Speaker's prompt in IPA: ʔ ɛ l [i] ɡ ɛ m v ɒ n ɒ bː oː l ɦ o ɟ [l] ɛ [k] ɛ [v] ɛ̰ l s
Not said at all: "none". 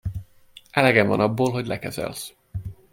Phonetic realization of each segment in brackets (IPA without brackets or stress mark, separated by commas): ɛ, l, k, z